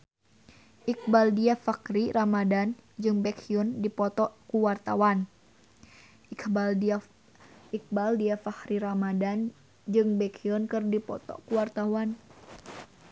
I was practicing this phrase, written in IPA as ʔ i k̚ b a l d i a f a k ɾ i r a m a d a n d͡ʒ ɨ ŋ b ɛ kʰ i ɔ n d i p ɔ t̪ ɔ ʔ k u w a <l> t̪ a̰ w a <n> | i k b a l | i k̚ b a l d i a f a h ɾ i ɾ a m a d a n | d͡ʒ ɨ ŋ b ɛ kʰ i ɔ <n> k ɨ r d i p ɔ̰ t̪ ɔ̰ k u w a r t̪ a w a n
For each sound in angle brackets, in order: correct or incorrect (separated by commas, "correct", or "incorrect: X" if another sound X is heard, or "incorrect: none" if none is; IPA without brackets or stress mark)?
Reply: incorrect: r, correct, correct